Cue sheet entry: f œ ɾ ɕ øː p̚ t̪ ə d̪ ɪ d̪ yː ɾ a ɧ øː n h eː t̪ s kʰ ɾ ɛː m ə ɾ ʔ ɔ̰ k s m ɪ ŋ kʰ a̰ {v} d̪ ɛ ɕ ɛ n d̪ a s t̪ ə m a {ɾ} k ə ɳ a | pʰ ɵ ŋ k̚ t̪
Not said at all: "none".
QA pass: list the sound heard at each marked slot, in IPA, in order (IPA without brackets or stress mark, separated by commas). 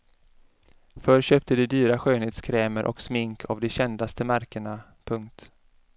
v, ɾ